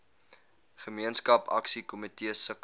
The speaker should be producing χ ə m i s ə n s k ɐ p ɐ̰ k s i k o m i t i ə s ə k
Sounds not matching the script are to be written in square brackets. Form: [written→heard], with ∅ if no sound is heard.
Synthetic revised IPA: χ ə m i [s→∅] ə n s k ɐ p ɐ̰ k s i k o m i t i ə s ə k